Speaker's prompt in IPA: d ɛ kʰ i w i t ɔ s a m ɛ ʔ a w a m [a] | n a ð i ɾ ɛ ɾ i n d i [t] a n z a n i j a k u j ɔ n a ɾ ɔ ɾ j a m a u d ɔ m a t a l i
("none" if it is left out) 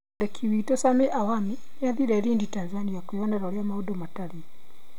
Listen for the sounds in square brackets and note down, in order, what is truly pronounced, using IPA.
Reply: i, t

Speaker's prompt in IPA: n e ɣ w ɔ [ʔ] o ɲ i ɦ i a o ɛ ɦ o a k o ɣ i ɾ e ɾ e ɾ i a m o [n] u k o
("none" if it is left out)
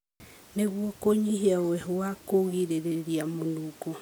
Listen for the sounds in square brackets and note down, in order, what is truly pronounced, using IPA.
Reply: k, n

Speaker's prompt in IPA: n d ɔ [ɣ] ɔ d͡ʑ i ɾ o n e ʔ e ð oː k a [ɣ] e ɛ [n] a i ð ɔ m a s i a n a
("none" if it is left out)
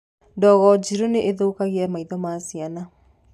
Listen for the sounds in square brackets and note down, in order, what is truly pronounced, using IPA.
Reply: ɣ, ɣ, m

